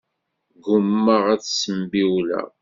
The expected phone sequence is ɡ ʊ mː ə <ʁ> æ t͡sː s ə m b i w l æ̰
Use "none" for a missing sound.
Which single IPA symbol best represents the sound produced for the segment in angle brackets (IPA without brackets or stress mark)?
ʁ